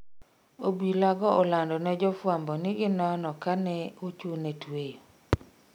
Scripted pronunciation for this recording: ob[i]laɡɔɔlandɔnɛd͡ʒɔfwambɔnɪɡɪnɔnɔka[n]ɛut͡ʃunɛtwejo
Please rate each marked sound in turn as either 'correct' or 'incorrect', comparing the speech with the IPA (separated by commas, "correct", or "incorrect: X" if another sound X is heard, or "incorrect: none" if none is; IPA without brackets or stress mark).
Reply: correct, correct